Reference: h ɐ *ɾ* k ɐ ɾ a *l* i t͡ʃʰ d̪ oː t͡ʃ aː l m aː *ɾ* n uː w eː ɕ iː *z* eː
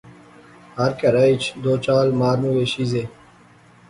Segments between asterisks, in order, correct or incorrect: correct, incorrect: none, correct, correct

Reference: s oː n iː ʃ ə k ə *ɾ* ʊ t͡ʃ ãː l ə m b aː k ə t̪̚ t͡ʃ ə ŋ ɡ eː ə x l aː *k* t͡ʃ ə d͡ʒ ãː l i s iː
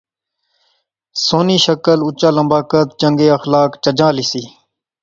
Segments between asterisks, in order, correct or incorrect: incorrect: l, correct

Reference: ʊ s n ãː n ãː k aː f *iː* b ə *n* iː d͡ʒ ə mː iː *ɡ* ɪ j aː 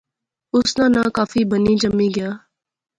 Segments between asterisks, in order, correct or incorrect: correct, correct, correct

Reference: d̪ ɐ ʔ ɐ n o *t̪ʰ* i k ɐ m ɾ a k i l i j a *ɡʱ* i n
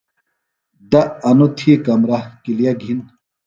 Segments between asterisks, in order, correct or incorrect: correct, correct

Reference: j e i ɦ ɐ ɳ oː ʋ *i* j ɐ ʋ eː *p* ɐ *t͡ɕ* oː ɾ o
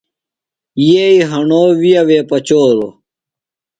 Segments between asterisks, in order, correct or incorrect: correct, correct, correct

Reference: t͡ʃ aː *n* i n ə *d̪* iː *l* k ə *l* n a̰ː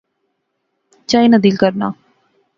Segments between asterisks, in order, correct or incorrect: incorrect: none, correct, correct, incorrect: ɾ

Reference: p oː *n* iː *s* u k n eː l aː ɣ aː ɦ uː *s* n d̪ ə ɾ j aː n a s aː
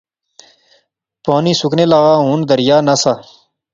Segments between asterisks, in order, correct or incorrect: correct, correct, incorrect: none

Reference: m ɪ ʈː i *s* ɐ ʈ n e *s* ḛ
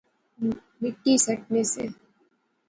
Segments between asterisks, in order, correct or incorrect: correct, correct

